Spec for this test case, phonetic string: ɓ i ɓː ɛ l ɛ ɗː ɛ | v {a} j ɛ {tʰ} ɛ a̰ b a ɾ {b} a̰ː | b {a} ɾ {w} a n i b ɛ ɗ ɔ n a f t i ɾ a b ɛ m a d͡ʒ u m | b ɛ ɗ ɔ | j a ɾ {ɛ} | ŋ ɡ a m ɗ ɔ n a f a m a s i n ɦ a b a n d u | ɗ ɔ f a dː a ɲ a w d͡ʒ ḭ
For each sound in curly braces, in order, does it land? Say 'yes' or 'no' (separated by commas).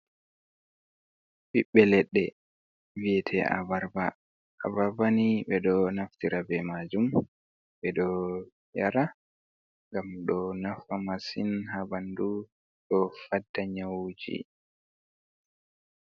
no, yes, yes, yes, no, no